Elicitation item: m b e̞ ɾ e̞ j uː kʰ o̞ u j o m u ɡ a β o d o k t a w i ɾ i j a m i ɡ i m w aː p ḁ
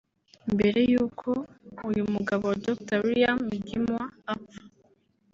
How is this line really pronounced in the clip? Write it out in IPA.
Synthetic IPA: m b e̞ ɾ e̞ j uː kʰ o̞ u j u m u ɡ a β o d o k t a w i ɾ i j a m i ɡ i m w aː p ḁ